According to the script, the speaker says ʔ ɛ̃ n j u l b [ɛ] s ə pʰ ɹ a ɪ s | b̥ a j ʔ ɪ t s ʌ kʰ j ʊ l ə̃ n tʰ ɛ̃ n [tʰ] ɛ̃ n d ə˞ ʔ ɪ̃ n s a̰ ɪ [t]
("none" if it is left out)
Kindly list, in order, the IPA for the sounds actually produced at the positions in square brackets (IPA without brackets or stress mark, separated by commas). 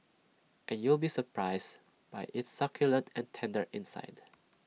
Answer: i, tʰ, d